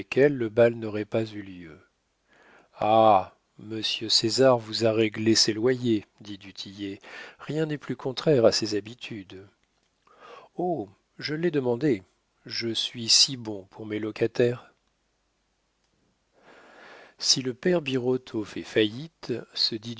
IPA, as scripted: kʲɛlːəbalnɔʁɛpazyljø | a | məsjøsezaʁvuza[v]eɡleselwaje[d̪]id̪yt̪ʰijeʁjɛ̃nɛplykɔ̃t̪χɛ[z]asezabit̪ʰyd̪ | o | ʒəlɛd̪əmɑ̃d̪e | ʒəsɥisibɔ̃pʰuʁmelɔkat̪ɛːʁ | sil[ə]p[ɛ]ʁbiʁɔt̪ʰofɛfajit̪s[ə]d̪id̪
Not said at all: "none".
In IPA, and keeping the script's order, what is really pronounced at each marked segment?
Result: ʁ, d̪, ʁ, ə, ɛ, ə

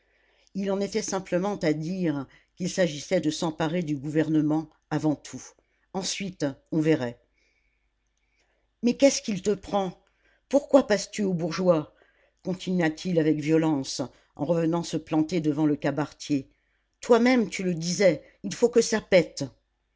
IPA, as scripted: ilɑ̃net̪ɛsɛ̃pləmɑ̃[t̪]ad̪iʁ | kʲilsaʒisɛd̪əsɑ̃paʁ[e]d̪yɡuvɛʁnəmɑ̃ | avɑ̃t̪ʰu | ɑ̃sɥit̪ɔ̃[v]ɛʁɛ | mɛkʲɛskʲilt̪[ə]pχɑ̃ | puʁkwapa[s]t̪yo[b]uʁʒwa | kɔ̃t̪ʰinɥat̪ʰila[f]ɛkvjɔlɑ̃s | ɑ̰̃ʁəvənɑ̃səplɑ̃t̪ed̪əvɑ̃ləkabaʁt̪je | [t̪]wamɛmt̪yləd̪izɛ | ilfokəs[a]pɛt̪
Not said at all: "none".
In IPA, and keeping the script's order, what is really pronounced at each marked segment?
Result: t̪, e, v, ə, s, b, v, t̪, a

